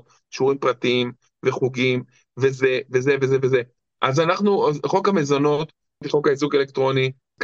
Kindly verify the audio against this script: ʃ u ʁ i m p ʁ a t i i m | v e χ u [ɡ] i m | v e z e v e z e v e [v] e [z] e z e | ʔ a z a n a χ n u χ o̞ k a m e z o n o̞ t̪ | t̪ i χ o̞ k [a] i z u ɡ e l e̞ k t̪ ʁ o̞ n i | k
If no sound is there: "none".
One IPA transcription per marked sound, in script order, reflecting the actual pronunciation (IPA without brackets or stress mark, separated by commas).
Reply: ɡ, z, v, a